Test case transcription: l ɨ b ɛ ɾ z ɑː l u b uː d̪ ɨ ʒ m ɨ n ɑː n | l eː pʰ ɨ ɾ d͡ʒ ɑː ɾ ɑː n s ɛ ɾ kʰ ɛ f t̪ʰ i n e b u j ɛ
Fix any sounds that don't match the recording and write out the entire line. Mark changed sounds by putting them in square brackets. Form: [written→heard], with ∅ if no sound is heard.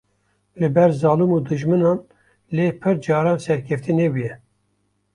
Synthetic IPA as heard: l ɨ b ɛ ɾ z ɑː l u [b→m] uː d̪ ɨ ʒ m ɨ n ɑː n | l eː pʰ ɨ ɾ d͡ʒ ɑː ɾ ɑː n s ɛ ɾ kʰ ɛ f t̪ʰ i n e b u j ɛ